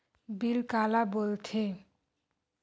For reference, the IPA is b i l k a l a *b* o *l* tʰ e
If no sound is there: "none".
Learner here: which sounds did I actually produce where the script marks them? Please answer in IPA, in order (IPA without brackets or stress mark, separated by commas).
b, l